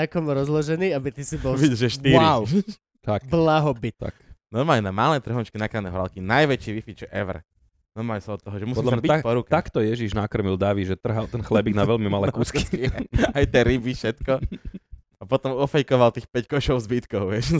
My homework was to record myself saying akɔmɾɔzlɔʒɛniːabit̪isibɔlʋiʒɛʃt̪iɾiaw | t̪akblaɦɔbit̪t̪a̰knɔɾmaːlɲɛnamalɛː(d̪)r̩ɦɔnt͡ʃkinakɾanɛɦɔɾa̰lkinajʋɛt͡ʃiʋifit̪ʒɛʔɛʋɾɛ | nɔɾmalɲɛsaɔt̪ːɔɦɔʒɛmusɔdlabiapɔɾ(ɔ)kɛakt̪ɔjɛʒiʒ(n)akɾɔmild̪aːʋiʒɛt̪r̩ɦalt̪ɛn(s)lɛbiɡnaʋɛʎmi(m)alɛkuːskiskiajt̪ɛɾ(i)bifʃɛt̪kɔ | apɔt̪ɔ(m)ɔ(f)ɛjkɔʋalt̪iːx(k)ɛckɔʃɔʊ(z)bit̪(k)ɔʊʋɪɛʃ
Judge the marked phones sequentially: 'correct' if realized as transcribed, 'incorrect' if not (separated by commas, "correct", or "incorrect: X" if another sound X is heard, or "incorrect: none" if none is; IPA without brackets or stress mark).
incorrect: t̪, incorrect: u, correct, incorrect: x, correct, correct, correct, correct, incorrect: p, correct, correct